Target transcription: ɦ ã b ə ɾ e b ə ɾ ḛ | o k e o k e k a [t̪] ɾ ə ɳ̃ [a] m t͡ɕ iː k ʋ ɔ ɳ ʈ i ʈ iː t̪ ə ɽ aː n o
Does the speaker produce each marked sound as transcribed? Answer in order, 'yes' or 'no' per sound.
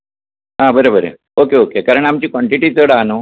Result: no, yes

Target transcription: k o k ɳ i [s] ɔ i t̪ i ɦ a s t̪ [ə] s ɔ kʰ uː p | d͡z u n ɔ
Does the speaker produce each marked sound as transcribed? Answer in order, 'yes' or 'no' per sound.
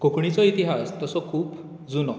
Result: no, yes

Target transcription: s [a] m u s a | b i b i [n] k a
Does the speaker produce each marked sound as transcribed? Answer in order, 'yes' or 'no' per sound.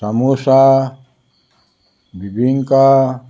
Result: yes, no

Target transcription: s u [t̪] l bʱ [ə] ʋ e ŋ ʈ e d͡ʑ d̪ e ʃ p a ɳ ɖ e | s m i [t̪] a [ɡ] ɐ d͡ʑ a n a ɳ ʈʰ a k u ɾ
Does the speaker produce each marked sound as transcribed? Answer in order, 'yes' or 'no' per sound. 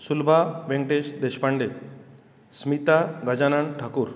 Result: no, no, yes, yes

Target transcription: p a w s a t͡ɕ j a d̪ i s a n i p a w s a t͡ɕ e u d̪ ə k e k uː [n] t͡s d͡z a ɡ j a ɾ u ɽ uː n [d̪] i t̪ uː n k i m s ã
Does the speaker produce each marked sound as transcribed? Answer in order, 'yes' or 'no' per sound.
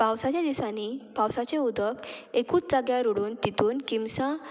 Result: no, no

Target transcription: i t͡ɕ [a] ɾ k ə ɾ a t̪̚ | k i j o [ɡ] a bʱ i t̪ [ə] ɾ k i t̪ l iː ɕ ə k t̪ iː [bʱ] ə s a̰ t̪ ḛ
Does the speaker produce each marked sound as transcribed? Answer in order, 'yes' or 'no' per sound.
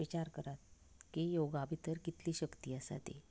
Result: yes, yes, yes, no

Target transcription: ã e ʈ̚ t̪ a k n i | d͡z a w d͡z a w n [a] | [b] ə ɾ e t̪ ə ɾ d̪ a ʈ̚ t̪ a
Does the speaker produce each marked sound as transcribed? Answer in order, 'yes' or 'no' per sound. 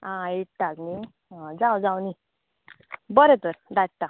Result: no, yes

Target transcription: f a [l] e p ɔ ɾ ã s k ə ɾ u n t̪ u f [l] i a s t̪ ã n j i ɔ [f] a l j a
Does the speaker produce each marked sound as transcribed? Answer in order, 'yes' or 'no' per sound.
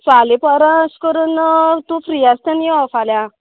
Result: yes, no, yes

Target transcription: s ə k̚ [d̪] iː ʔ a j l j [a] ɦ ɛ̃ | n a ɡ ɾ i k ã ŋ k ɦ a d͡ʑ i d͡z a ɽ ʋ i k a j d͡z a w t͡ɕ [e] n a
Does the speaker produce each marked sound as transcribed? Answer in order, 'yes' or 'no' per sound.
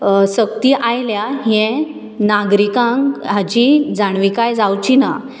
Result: no, yes, no

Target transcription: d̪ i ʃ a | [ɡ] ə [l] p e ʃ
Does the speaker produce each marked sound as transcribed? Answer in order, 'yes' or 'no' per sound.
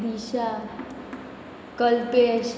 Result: no, yes

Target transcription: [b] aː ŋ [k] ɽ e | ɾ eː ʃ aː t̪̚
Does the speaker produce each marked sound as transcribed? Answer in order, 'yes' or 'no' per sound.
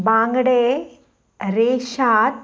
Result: yes, no

